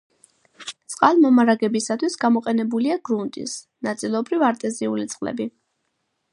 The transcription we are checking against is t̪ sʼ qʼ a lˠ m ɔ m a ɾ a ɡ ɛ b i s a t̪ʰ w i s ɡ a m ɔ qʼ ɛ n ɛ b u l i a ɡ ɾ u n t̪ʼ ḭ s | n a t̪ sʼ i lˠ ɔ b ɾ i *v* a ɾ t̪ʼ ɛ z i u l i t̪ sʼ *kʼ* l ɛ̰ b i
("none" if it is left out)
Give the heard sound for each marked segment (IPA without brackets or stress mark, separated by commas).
v, qʼ